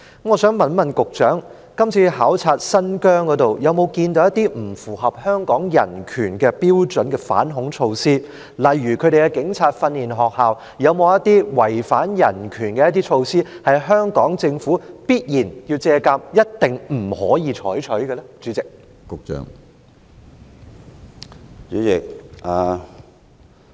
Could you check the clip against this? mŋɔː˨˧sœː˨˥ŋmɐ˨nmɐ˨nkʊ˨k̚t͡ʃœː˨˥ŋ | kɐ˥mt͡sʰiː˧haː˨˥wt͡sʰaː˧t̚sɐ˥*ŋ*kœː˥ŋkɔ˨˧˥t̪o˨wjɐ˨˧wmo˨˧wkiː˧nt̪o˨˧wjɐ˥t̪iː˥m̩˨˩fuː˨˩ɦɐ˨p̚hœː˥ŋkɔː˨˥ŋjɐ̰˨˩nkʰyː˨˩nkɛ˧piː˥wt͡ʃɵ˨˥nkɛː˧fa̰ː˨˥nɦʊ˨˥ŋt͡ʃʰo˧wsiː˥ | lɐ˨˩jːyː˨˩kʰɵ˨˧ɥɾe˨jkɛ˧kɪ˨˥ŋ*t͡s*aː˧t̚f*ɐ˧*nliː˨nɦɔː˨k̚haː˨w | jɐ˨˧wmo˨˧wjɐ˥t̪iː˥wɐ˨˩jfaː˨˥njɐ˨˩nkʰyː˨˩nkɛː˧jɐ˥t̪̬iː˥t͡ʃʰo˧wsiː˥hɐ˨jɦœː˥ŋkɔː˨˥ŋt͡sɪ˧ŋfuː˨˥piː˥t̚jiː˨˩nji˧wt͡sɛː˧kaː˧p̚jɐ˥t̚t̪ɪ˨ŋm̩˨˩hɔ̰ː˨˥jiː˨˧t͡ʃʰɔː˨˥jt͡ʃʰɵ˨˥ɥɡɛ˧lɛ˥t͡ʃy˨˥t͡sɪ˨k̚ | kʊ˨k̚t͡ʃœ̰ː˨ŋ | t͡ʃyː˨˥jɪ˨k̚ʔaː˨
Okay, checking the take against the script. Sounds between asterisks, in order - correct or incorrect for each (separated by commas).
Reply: incorrect, incorrect, correct